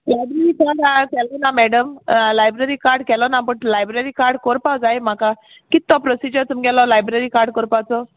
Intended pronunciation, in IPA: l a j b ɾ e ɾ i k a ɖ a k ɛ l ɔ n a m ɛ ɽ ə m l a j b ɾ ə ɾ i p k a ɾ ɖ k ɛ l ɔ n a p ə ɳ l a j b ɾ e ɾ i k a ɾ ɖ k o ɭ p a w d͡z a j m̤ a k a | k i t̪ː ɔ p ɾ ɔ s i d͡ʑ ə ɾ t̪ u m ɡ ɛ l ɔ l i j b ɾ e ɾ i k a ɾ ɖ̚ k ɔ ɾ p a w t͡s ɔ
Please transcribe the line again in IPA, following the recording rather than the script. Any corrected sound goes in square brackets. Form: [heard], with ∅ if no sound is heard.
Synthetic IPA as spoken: l a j b ɾ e ɾ i k a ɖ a k ɛ l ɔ n a m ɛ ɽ ə m l a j b ɾ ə ɾ i [∅] k a ɾ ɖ k ɛ l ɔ n a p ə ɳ l a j b ɾ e ɾ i k a ɾ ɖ k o [ɾ] p a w d͡z a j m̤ a k a | k i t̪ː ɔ p ɾ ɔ s i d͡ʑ ə ɾ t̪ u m ɡ ɛ l ɔ l [a] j b ɾ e ɾ i k a ɾ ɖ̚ k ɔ ɾ p a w t͡s ɔ